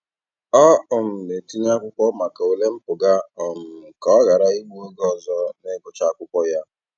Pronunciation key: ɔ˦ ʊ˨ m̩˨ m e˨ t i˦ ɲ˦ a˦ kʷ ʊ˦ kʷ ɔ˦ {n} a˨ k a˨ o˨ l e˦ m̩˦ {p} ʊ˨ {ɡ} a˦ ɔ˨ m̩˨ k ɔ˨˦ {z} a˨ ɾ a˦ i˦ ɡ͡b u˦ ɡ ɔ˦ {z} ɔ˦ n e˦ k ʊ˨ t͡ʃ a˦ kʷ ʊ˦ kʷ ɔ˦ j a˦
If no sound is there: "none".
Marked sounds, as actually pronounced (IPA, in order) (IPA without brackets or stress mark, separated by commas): m, p, ɡ, ɣ, z